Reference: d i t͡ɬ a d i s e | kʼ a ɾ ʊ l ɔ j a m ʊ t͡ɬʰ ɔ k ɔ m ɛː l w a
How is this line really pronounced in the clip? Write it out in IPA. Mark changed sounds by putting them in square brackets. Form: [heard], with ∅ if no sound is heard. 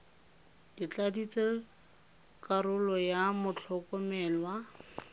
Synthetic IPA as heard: d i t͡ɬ a d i [t͡s] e | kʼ a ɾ ʊ l ɔ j a m ʊ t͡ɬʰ ɔ k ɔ m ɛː l w a